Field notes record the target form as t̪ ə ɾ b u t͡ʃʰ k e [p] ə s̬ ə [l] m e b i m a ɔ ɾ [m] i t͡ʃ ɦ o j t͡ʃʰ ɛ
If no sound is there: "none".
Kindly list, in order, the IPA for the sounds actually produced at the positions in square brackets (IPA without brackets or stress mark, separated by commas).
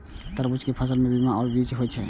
pʰ, l, b